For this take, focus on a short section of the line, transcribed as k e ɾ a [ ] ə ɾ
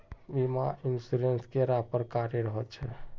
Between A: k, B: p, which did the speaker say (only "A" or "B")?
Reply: B